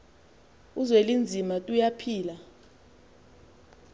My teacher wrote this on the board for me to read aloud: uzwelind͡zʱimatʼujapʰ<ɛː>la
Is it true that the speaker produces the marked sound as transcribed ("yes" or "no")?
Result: no